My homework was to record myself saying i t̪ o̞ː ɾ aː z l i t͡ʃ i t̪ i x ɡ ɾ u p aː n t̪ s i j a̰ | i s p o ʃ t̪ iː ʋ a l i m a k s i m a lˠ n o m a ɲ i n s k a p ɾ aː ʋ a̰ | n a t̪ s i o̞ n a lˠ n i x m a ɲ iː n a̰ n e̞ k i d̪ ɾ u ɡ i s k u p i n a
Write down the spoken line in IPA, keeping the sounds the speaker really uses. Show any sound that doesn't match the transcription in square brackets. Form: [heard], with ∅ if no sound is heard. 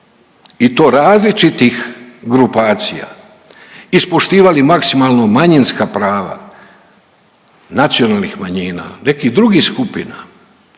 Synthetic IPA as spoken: i t̪ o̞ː ɾ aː z l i t͡ʃ i t̪ i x ɡ ɾ u p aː [∅] t̪ s i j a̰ | i s p o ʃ t̪ iː ʋ a l i m a k s i m a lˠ n o m a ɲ i n s k a p ɾ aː ʋ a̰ | n a t̪ s i o̞ n a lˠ n i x m a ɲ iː n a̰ n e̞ k i d̪ ɾ u ɡ i s k u p i n a